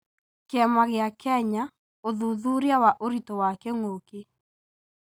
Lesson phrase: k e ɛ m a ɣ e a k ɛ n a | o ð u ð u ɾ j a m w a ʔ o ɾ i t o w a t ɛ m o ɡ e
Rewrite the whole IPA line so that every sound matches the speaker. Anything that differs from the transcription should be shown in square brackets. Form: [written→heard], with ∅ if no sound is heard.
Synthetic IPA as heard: k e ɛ m a ɣ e a k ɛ [n→ɲ] a | o ð u ð u ɾ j a [m→∅] w a ʔ o ɾ i t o w a [t→k] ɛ [m→ŋ] o [ɡ→k] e